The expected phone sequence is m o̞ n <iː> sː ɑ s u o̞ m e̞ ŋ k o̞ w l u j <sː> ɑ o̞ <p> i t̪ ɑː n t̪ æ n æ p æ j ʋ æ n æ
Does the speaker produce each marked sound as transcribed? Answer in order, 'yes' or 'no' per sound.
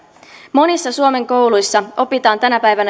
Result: no, yes, yes

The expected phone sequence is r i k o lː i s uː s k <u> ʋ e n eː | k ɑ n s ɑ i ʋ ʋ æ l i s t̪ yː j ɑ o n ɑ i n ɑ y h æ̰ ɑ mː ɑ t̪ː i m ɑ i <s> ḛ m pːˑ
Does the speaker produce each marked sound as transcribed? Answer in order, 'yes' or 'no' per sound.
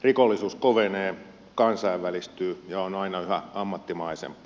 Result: no, yes

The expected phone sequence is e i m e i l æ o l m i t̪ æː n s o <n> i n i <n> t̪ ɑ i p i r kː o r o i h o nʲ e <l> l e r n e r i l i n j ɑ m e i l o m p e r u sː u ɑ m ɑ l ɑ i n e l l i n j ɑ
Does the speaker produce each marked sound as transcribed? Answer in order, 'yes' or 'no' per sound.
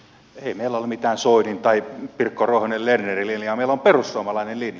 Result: no, yes, yes

